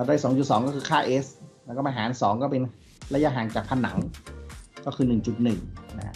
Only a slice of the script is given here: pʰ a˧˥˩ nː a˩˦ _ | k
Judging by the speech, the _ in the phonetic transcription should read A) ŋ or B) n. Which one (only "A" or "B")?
A